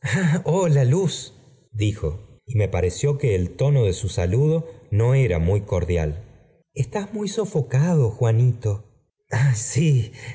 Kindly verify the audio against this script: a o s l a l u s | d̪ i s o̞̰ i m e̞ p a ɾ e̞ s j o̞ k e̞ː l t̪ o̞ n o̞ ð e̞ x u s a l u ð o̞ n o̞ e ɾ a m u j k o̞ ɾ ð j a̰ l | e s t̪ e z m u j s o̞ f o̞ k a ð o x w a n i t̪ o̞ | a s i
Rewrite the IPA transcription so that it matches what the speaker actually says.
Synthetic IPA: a o l a l u s | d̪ i x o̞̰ i m e̞ p a ɾ e̞ s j o̞ k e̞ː l t̪ o̞ n o̞ ð e̞ s u s a l u ð o̞ n o̞ e ɾ a m u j k o̞ ɾ ð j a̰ l | e s t̪ a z m u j s o̞ f o̞ k a ð o x w a n i t̪ o̞ | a s i